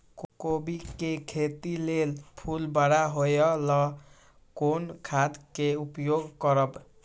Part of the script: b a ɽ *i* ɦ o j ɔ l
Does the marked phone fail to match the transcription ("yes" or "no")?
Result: yes